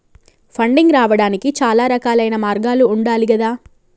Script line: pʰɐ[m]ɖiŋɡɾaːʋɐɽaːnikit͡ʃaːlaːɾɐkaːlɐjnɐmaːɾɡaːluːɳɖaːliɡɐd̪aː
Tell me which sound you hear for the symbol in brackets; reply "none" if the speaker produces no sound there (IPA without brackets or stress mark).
ɳ